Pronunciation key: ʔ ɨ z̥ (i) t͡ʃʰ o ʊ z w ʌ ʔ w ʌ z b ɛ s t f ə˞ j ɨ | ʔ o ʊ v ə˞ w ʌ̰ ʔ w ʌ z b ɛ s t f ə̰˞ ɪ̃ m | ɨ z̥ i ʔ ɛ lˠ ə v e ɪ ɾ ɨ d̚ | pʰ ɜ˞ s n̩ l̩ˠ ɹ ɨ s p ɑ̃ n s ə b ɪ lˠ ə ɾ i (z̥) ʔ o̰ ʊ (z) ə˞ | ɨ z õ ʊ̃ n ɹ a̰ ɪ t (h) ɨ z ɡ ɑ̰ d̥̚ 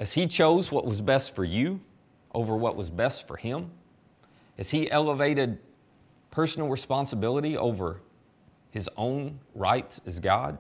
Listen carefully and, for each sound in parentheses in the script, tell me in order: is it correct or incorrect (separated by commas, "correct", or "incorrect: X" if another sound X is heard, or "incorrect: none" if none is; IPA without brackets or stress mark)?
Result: correct, incorrect: none, incorrect: v, incorrect: s